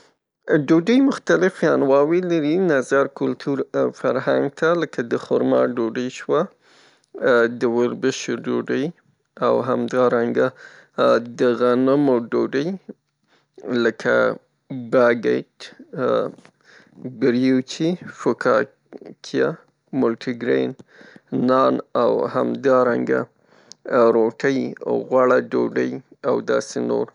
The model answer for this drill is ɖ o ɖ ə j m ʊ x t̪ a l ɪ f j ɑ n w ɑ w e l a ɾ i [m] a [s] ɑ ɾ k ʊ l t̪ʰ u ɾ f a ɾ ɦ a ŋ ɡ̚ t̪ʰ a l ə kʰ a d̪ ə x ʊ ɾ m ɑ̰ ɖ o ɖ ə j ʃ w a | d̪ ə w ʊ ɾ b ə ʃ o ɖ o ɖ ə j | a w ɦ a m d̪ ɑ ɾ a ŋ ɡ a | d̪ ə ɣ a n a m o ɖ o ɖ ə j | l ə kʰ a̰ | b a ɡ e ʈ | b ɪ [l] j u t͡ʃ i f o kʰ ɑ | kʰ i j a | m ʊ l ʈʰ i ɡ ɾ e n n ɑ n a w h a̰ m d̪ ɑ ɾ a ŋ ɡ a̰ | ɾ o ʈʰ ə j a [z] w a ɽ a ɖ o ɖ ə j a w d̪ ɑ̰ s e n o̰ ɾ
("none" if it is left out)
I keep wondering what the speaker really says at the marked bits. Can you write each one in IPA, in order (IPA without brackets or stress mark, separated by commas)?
n, z, ɾ, ɣ